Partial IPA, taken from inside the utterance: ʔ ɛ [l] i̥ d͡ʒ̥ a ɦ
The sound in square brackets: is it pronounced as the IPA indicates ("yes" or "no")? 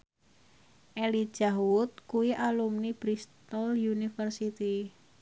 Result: yes